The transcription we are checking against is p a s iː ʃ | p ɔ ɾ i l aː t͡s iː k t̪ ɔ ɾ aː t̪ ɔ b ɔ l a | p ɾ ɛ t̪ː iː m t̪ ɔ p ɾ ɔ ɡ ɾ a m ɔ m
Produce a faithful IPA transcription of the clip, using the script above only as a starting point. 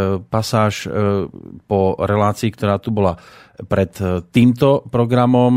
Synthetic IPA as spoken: p a s aː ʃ | p ɔ ɾ ɛ l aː t͡s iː k t̪ ɔ ɾ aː t̪ u b ɔ l a | p ɾ ɛ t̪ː iː m t̪ ɔ p ɾ ɔ ɡ ɾ a m ɔ m